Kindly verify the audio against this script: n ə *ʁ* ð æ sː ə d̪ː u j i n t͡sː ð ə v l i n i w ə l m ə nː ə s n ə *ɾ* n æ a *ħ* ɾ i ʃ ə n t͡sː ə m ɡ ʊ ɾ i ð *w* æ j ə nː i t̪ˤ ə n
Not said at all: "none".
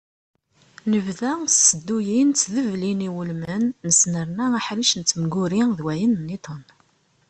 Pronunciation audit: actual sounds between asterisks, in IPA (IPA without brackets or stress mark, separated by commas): v, ɾ, ħ, w